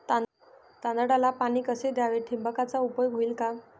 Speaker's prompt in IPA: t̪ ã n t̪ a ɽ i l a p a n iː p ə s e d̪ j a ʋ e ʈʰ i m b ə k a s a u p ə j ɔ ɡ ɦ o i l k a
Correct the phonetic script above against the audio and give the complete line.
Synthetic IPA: t̪ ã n d̪ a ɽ a l a p a n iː k ə s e d̪ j a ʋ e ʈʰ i m b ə k a t͡s a u p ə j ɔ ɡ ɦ o i l k a

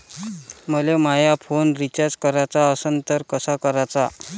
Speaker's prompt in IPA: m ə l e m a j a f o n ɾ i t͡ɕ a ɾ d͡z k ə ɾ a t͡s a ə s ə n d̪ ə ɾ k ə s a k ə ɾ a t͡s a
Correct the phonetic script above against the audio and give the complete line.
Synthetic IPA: m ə l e m a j a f o n ɾ i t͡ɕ a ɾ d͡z k ə ɾ a t͡s a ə s ə n t̪ ə ɾ k ə s a k ə ɾ a t͡s a

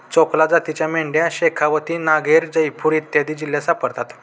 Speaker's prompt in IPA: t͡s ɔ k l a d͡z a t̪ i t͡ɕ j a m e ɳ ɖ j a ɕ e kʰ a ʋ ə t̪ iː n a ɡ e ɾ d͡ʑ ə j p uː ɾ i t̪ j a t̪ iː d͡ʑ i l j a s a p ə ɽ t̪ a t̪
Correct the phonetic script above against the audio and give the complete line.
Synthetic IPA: t͡s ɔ k l a d͡z a t̪ i t͡ɕ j a m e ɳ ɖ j a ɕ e kʰ a ʋ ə t̪ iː n a ɡ e ɾ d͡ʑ ə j p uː ɾ i t̪ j a d̪ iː d͡ʑ i l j a s a p ə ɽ t̪ a t̪

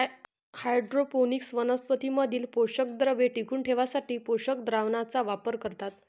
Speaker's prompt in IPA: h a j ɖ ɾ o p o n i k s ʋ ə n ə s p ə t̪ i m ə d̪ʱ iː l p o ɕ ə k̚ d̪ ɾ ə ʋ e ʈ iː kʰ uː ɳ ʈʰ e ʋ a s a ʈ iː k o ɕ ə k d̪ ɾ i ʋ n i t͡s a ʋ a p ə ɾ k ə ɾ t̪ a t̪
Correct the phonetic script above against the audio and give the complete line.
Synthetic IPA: h a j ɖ ɾ o p o n i k s ʋ ə n ə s p ə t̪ i m ə d̪ʱ iː l p o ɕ ə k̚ d̪ ɾ ə ʋ e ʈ i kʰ uː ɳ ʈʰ e ʋ a s a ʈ iː p o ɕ ə k d̪ ɾ a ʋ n a t͡s a ʋ a p ə ɾ k ə ɾ t̪ a t̪

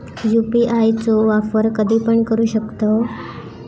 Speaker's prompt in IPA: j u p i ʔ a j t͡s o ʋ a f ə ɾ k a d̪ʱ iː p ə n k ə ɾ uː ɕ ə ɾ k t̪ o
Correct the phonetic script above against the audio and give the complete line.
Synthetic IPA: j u p i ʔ a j t͡s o ʋ a f ə ɾ k ə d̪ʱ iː p ə ɳ k ə ɾ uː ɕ ə k t̪ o

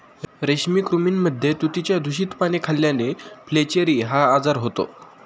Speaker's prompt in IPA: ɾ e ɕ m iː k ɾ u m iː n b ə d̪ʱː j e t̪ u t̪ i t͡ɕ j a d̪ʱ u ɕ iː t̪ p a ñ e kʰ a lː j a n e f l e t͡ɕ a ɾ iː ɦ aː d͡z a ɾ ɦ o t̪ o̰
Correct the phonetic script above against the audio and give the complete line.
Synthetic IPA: ɾ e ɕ m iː k ɾ u m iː n m ə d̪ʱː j e t̪ u t̪ i t͡ɕ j a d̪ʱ u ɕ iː t̪ p a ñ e kʰ a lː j a n e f l e t͡ɕ e ɾ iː ɦ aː d͡z a ɾ ɦ o t̪ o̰

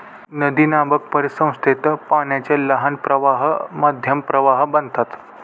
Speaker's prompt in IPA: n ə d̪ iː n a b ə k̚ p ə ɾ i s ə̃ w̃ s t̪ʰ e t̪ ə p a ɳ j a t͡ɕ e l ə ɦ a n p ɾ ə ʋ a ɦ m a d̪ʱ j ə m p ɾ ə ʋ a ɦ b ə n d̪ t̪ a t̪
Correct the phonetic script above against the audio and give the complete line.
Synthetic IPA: n ə d̪ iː n a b ə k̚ p ə ɾ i s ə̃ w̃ s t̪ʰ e t̪ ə p a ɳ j a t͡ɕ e l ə ɦ a n p ɾ ə ʋ a ɦ m a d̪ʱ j ə m p ɾ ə ʋ a ɦ b ə n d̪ t̪ a t̪

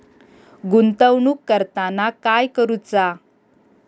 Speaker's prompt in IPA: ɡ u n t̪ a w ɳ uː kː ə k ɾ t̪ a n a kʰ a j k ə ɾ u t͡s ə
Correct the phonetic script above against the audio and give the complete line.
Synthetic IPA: ɡ u n t̪ ə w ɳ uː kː ə ɾ t̪ a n a k a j k ə ɾ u t͡s a

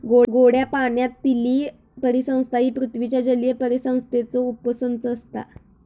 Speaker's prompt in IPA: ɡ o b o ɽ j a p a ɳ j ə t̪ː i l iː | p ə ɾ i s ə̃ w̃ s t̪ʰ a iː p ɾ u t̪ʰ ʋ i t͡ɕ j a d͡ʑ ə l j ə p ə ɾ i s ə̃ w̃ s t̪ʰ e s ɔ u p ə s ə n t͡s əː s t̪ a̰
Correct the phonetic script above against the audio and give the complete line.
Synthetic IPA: ɡ o ɡ o ɽ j a p a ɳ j a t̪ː i l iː | p ə ɾ i s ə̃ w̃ s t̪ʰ a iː p ɾ u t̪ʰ ʋ i t͡ɕ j a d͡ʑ ə l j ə p ə ɾ i s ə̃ w̃ s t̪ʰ e t͡s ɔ u p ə s ə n t͡s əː s t̪ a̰

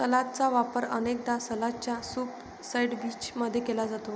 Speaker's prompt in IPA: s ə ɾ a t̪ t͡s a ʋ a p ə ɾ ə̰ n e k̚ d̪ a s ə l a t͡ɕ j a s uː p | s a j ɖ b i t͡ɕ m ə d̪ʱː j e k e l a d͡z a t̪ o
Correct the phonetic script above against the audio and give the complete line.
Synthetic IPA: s ə l a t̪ t͡s a ʋ a p ə ɾ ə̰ n e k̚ d̪ a s ə l a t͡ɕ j a s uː p | s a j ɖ b i t͡ɕ m ə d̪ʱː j e k e l a d͡z a t̪ o

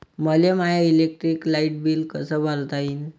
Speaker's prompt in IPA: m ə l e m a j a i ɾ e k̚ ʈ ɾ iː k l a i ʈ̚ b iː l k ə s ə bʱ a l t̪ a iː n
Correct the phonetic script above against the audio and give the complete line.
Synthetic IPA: m ə l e m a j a i l e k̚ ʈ ɾ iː k l a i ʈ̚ b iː l k ə s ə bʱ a l t̪ a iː n

